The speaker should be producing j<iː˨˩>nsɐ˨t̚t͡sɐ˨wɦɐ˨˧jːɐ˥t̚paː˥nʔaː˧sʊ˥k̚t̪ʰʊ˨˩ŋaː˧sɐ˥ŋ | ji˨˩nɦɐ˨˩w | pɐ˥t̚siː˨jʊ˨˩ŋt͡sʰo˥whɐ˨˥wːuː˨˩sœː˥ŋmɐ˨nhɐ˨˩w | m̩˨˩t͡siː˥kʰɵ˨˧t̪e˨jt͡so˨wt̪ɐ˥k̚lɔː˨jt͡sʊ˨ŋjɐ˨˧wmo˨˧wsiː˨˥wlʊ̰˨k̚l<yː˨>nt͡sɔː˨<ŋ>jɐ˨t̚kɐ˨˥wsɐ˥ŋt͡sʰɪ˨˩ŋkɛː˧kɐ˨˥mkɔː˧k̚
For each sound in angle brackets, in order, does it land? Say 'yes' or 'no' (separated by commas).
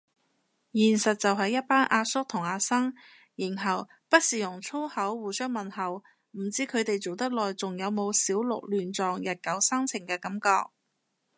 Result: yes, yes, yes